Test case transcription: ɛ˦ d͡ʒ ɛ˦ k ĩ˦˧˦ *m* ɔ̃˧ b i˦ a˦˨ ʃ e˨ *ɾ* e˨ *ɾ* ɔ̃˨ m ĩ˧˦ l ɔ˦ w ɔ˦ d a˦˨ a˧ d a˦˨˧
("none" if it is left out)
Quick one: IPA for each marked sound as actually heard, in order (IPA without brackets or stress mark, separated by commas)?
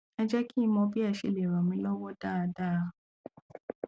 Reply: m, l, ɾ